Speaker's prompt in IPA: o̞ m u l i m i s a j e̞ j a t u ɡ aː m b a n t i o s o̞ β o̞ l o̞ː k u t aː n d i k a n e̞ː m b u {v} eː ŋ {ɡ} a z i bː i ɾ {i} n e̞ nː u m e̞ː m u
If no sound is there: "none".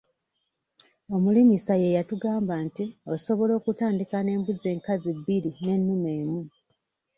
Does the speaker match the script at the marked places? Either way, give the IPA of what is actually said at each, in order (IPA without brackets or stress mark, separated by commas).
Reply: z, k, i